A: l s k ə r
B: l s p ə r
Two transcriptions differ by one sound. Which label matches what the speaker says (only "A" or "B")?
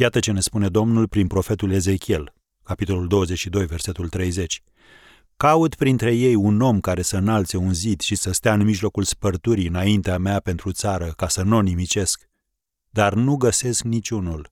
B